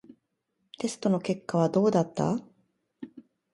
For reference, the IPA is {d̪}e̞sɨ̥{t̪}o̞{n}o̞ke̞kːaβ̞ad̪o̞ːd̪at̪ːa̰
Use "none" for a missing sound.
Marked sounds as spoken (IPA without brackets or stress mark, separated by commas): t̪, t̪, n